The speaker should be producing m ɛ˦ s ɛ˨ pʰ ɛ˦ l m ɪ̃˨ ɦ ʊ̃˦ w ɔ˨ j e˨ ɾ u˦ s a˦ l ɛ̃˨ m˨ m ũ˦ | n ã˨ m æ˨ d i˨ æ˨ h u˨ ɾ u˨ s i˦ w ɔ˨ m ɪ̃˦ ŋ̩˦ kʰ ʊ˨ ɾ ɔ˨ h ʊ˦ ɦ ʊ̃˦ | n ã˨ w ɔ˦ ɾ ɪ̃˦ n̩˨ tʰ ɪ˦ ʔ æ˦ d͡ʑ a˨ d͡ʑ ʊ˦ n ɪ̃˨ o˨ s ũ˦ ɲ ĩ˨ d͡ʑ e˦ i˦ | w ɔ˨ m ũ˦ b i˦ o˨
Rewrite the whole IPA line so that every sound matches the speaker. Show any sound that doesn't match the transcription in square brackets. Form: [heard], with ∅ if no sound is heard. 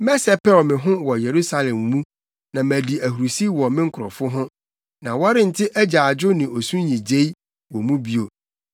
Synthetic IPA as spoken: m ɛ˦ s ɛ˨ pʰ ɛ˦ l m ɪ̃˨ ɦ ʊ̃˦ w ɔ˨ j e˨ ɾ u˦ s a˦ l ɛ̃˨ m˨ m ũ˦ | n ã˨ m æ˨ d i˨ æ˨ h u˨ ɾ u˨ s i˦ w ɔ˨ m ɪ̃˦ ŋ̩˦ kʰ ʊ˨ ɾ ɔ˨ [f] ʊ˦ ɦ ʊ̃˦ | n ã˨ w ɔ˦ ɾ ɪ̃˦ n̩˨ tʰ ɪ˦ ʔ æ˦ d͡ʑ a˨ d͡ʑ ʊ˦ n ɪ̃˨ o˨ s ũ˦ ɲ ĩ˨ d͡ʑ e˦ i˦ | w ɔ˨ m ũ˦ b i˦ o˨

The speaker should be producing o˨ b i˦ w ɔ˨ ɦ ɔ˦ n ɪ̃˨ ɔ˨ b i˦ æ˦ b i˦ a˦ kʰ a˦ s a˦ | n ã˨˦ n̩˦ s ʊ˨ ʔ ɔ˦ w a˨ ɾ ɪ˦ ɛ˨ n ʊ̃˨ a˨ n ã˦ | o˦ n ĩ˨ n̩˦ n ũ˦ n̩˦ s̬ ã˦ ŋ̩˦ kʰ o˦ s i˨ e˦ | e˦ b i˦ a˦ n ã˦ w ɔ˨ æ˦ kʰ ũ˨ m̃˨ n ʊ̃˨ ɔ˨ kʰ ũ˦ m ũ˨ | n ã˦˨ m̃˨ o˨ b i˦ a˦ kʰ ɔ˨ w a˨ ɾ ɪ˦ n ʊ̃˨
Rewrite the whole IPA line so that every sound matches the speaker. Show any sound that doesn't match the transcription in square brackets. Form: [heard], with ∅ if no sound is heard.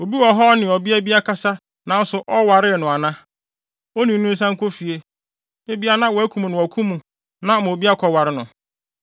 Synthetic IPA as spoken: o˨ b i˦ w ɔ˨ ɦ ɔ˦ n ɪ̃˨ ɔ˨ b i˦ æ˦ b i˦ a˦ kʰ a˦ s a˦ | n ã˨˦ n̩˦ s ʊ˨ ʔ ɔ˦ w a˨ ɾ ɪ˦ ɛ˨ n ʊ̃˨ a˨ n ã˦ | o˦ n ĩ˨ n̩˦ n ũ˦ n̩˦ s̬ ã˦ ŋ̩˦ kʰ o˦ [f] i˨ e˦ | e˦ b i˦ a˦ n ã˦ w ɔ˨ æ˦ kʰ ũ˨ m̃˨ n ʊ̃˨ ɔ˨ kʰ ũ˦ m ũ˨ | n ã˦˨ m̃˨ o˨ b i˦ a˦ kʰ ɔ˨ w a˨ ɾ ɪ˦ n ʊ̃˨

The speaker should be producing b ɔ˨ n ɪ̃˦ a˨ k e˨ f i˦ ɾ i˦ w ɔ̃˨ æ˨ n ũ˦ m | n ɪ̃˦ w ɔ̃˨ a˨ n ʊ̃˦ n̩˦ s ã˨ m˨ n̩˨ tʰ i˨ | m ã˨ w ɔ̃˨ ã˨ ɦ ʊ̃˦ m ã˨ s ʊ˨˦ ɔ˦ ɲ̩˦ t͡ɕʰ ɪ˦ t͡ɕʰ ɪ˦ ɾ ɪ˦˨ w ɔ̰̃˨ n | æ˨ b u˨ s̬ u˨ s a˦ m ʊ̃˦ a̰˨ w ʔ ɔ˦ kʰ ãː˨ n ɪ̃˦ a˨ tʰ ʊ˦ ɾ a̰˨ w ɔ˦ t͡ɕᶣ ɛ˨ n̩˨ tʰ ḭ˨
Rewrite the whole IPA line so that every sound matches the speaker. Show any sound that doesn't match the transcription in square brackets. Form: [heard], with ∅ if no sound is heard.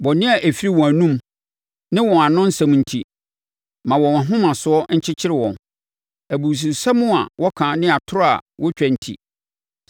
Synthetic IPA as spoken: b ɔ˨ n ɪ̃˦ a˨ [ʔ] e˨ f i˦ ɾ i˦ w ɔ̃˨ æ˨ n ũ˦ m | n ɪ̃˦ w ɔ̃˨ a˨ n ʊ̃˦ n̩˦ s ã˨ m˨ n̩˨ tʰ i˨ | m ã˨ w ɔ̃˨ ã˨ ɦ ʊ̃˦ m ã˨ s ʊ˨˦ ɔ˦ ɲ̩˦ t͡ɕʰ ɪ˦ t͡ɕʰ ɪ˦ ɾ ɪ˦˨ w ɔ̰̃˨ n | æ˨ b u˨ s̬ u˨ s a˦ m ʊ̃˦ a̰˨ w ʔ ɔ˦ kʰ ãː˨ n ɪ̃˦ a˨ tʰ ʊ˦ ɾ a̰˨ w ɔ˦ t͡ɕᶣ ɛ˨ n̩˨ tʰ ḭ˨

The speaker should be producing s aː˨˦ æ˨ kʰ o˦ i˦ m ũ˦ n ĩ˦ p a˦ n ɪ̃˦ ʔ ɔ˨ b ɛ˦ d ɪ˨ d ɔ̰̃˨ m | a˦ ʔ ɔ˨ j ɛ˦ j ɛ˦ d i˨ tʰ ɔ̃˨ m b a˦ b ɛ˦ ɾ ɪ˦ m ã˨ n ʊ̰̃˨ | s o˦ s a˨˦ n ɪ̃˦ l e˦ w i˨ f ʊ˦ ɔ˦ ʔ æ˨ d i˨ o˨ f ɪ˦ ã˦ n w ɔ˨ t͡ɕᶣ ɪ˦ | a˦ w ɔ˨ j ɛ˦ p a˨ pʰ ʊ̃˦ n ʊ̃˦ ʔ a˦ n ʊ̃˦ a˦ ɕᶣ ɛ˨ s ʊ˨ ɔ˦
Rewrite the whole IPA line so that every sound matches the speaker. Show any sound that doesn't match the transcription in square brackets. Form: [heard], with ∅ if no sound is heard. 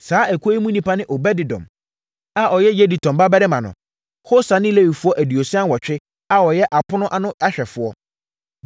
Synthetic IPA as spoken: s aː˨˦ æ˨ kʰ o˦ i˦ m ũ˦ n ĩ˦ p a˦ n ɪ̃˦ ʔ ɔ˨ b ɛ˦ d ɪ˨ d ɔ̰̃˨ m | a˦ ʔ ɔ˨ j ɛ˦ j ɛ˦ d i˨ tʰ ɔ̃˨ m b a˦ b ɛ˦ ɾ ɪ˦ m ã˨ n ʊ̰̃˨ | [h] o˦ s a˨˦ n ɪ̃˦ l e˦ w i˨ f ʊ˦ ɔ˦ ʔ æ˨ d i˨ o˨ [s] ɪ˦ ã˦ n w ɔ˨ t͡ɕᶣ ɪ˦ | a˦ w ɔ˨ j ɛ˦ [ʔ] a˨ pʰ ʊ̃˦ n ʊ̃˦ ʔ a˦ n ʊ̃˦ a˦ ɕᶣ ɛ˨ [f] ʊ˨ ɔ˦

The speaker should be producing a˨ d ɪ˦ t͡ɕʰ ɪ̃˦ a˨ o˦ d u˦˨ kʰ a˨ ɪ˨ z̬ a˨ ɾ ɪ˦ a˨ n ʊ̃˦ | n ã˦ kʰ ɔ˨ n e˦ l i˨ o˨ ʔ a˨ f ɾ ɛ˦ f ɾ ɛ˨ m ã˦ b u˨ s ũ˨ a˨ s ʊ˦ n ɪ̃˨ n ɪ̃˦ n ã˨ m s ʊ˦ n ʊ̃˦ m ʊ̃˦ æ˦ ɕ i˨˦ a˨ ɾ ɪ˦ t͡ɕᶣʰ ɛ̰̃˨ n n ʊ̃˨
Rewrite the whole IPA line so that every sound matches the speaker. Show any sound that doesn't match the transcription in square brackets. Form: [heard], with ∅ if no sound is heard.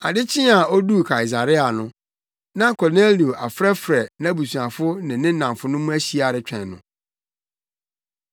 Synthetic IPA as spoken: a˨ d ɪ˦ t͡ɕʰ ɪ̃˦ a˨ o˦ d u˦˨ kʰ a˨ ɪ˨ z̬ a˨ ɾ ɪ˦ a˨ n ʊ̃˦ | n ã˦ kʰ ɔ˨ n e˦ l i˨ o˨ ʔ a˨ f ɾ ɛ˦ f ɾ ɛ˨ [n] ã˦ b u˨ s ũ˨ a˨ [f] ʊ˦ n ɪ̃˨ n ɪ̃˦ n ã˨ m [f] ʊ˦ n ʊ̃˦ m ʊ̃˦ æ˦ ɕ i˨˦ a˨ ɾ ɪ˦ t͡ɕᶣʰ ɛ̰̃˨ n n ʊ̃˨

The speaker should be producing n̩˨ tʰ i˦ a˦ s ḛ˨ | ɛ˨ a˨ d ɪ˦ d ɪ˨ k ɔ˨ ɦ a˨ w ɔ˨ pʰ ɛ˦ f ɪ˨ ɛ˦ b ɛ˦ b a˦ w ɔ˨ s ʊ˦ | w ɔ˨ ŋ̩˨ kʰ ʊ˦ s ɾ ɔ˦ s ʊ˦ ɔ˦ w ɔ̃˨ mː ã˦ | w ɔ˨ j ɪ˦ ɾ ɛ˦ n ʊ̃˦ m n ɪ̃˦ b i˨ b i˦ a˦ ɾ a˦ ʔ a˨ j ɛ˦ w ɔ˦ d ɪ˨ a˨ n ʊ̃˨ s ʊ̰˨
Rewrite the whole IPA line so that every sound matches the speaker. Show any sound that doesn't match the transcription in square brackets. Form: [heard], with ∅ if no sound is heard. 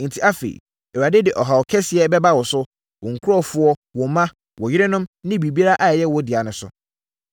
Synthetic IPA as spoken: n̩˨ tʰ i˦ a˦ [f] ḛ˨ | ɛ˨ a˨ d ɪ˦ d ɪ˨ [ʔ] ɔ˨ ɦ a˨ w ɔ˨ [kʰ] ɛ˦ [s] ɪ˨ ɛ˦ b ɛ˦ b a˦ w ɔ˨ s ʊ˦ | w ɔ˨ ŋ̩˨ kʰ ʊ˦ [∅] ɾ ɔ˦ [f] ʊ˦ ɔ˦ w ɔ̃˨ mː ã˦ | w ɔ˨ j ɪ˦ ɾ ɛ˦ n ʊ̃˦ m n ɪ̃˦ b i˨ b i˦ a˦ ɾ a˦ ʔ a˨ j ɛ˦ w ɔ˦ d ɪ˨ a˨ n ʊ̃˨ s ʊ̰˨

